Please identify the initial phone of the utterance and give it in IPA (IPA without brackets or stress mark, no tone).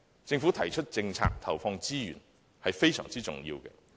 t͡s